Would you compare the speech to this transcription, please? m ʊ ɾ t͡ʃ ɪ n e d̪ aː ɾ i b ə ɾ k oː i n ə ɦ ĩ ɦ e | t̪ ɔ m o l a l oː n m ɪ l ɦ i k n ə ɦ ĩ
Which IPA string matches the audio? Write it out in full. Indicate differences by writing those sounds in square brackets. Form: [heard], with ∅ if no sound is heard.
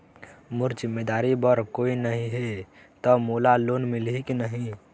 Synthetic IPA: m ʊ ɾ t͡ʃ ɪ [m] e d̪ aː ɾ i b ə ɾ k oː i n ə ɦ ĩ ɦ e | t̪ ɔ m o l a l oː n m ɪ l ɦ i k n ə ɦ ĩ

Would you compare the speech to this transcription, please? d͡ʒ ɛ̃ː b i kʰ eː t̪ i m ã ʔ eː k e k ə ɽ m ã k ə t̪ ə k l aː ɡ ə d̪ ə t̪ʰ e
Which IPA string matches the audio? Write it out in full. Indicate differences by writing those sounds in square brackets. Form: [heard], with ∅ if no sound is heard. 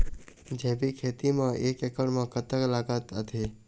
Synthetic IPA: d͡ʒ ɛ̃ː b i kʰ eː t̪ i m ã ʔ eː k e k ə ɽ m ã k ə t̪ ə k l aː ɡ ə [t̪] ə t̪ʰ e

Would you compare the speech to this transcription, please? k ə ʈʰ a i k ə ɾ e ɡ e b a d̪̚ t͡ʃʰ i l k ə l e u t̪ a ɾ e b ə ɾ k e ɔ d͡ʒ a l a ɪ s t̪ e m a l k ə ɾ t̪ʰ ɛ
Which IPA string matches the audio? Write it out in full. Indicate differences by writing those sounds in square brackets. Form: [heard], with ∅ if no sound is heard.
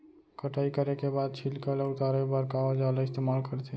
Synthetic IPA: k ə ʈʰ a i k ə ɾ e [k] e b a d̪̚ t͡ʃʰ i l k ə l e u t̪ a ɾ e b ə ɾ k [a] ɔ d͡ʒ a l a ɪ s t̪ e m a l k ə ɾ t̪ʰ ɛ

